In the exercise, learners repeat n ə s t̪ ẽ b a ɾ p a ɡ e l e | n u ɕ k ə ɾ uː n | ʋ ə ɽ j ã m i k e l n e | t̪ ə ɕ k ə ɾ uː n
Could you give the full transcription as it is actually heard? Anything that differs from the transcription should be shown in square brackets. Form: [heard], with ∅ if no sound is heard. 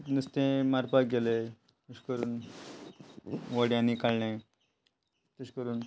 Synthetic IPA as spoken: n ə s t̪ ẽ [m] a ɾ p a ɡ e l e | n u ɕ k ə ɾ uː n | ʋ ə ɽ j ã [n] i k [a] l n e | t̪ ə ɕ k ə ɾ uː n